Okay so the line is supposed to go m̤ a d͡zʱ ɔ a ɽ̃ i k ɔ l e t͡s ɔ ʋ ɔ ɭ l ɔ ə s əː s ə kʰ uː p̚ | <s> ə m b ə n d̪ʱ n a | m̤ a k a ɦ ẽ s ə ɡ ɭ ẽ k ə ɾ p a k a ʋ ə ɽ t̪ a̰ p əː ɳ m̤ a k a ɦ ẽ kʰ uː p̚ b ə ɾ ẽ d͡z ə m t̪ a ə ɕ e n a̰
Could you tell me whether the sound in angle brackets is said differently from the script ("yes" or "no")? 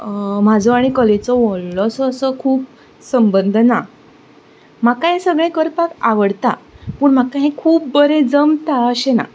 no